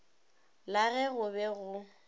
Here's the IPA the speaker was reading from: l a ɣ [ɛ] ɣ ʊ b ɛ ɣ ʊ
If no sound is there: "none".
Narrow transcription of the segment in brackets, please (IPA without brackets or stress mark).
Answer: ɛ